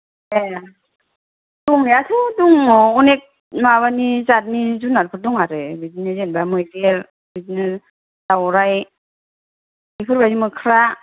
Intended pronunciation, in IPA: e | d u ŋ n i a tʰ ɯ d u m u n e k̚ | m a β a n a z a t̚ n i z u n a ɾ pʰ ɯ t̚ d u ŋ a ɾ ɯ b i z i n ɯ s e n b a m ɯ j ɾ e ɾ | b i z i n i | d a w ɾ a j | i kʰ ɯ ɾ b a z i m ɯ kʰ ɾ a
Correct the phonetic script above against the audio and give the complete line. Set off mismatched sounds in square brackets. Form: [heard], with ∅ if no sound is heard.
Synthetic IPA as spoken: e | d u ŋ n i a tʰ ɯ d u [ŋ] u n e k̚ | m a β a n [i] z a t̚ n i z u n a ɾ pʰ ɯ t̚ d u ŋ a ɾ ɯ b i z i n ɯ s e n b a m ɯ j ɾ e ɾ | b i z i n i | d a w ɾ a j | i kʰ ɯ ɾ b a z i m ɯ kʰ ɾ a